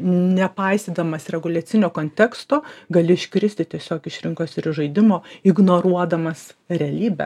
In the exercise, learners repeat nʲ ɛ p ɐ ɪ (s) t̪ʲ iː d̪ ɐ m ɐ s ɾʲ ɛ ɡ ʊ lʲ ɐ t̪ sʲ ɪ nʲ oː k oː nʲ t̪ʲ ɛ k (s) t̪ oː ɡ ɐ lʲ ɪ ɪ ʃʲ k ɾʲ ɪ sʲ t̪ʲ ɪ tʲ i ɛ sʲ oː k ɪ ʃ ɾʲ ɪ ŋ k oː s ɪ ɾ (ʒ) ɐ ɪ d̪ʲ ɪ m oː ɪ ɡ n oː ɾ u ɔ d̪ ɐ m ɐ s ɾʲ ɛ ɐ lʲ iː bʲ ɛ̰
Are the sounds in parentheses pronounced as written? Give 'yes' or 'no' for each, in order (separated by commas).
yes, yes, yes